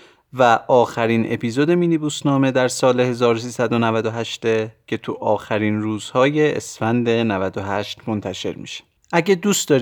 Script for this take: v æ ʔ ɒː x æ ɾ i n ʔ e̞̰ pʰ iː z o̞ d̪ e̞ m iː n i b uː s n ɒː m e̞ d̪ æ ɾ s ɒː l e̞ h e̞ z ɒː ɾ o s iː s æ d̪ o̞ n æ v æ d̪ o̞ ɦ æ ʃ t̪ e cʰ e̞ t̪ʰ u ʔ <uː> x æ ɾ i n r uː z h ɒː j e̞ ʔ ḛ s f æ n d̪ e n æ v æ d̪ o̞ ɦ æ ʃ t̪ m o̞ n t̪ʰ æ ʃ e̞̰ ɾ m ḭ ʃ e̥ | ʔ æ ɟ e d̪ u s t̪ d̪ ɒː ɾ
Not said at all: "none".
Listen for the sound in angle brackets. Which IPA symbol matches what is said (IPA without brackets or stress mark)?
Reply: ɒː